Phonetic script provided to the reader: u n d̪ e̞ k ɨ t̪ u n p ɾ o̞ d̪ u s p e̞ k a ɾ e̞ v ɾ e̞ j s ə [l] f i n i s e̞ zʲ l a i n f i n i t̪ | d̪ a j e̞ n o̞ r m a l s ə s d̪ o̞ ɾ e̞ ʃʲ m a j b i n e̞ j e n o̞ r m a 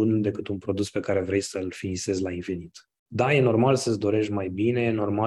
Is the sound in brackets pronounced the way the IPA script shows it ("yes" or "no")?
yes